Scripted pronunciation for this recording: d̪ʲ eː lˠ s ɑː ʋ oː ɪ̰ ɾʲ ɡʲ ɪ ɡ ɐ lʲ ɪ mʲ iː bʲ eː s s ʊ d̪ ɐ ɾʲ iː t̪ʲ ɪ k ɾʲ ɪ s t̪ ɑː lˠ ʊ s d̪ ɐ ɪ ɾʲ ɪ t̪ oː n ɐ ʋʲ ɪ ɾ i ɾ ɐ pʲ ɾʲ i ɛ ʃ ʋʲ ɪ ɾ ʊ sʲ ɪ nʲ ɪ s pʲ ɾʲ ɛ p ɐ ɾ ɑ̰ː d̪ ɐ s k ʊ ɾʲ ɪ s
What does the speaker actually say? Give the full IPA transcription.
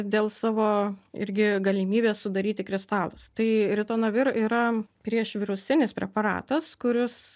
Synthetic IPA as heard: d̪ʲ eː lˠ s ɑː ʋ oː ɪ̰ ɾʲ ɡʲ ɪ ɡ ɐ lʲ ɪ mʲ iː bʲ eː s s ʊ d̪ ɐ ɾʲ iː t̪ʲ ɪ k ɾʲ ɪ s t̪ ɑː lˠ ʊ s t̪ ɐ ɪ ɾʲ ɪ t̪ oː n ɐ ʋʲ ɪ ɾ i ɾ ɐ pʲ ɾʲ i ɛ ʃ ʋʲ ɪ ɾ ʊ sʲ ɪ nʲ ɪ s pʲ ɾʲ ɛ p ɐ ɾ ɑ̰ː t̪ ɐ s k ʊ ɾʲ ɪ s